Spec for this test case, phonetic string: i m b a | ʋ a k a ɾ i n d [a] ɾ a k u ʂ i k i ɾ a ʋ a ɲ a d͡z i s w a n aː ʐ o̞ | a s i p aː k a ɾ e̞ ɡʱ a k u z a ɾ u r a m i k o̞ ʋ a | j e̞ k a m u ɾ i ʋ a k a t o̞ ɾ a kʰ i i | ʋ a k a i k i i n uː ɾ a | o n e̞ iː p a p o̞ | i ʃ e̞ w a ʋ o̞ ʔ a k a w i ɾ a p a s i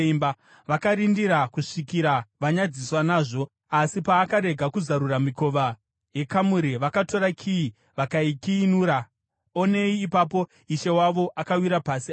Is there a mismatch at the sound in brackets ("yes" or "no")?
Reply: yes